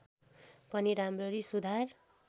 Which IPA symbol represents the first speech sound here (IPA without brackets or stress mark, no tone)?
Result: p